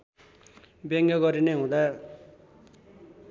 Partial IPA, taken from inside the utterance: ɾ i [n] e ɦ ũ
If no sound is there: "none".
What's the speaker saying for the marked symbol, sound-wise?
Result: n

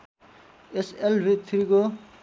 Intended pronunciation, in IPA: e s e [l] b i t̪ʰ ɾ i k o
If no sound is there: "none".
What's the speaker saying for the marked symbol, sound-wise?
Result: l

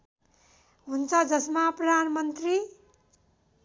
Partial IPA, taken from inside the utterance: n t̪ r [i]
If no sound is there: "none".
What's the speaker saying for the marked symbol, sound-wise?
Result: i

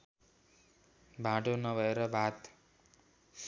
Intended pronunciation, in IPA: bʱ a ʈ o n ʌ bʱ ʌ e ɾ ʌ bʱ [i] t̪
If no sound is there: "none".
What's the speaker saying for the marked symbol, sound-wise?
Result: a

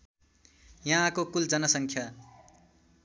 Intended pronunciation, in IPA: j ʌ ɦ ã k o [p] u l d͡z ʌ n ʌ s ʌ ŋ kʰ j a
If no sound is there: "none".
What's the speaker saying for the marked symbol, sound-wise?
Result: k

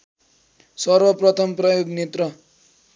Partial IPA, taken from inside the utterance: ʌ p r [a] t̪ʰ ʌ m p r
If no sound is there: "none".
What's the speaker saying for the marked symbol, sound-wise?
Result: ʌ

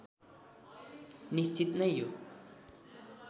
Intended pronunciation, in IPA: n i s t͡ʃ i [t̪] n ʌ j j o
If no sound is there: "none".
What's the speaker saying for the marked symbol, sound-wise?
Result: t̪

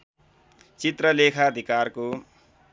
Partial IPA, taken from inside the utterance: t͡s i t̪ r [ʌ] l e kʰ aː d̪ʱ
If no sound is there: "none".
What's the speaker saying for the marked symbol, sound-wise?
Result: ʌ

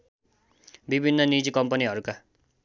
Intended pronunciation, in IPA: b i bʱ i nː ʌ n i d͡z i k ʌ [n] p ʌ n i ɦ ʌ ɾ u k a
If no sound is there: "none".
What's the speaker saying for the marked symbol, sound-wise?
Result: m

